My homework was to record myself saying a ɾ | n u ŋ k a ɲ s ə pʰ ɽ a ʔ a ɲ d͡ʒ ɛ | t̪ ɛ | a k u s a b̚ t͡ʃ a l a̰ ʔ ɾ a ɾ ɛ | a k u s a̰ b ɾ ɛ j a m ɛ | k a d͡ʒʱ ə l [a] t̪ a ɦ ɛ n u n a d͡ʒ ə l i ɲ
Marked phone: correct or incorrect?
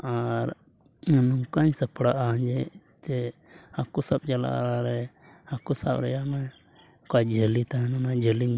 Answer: incorrect